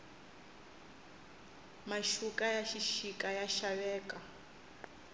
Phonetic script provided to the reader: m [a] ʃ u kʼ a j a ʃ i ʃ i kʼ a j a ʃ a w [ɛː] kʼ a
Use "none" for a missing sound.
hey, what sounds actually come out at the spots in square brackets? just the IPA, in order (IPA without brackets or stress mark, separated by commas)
a, ɛː